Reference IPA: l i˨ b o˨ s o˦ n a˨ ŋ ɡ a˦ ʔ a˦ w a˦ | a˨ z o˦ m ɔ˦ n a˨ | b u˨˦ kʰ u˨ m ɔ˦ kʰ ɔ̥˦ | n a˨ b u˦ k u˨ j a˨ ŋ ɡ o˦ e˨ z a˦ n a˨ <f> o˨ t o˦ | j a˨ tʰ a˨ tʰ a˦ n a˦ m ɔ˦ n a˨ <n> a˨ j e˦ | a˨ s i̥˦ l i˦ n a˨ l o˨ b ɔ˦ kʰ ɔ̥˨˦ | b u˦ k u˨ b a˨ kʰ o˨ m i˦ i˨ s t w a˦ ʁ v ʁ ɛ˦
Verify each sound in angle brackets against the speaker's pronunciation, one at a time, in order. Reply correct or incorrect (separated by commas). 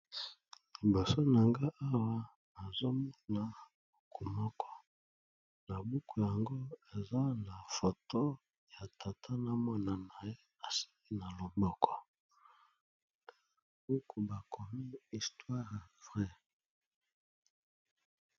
correct, correct